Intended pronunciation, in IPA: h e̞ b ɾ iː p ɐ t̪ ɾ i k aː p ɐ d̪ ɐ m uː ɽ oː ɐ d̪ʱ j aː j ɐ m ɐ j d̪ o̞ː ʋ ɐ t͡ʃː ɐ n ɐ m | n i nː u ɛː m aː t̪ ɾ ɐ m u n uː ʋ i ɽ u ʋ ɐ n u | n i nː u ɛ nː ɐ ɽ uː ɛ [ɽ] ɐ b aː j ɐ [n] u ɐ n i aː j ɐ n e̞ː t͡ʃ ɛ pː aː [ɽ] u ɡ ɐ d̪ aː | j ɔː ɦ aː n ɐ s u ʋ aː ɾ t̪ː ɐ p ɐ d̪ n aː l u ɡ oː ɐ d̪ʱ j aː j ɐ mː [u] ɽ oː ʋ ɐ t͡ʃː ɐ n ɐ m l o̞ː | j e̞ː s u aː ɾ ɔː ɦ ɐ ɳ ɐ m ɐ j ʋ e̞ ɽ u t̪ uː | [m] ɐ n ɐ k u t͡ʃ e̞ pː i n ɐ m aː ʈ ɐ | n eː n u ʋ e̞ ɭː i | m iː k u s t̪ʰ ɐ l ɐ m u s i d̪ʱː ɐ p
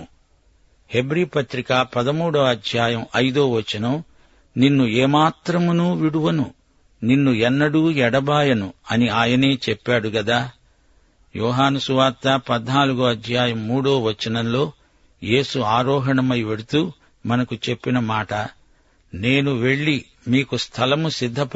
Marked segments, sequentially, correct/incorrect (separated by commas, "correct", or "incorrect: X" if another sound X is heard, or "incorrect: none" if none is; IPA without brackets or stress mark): correct, correct, correct, incorrect: uː, correct